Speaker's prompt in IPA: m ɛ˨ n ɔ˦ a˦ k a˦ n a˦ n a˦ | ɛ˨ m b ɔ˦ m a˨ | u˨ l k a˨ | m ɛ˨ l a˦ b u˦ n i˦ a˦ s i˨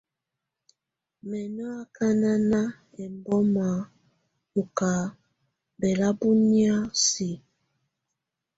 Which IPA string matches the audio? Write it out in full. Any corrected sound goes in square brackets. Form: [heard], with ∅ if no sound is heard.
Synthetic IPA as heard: m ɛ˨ n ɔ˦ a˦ k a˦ n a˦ n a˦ | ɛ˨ m b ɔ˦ m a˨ | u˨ [∅] k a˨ | [b] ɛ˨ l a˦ b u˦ n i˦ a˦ s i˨